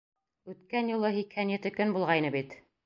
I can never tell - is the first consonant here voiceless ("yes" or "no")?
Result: yes